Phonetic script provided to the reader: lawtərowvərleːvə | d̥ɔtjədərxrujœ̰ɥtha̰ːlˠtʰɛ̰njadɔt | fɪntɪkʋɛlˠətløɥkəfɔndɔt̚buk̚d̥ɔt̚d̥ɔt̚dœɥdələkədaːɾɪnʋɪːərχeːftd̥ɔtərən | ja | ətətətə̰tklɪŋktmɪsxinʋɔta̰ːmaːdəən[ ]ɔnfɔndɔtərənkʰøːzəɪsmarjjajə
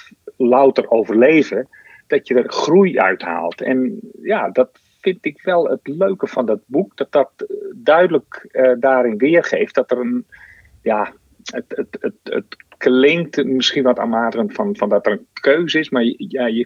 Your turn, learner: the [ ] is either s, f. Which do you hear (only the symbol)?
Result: f